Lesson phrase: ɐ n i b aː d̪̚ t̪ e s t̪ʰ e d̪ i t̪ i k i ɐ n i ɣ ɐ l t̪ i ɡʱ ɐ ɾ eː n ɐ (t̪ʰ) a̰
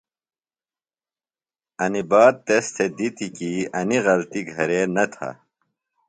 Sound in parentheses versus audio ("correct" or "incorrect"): correct